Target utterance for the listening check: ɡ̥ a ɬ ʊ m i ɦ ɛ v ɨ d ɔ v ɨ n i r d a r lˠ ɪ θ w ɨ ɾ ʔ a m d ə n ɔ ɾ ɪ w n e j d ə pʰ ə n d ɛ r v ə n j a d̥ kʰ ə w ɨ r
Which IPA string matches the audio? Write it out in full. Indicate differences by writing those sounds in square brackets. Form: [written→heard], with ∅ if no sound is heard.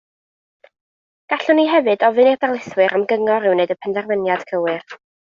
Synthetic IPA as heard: ɡ̥ a ɬ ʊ [m→n] i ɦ ɛ v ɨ d ɔ v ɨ n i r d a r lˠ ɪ θ w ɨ ɾ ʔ a m [d→ɡ] ə [n→ŋ] ɔ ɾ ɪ w n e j d ə pʰ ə n d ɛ r v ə n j a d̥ kʰ ə w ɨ r